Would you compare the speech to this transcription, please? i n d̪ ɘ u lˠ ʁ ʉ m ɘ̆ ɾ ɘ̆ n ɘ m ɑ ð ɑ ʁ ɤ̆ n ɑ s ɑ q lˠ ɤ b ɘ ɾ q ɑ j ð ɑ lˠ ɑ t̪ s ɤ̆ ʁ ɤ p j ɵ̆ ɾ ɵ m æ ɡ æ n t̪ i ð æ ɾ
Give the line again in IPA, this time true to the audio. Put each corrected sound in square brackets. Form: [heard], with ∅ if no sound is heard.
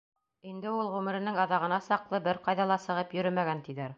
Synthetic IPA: i n d̪ ɘ u lˠ ʁ ʉ m ɘ̆ ɾ ɘ̆ n ɘ [ŋ] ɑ ð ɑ ʁ ɤ̆ n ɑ s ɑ q lˠ ɤ b ɘ ɾ q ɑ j ð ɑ lˠ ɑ [∅] s ɤ̆ ʁ ɤ p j ɵ̆ ɾ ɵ m æ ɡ æ n t̪ i ð æ ɾ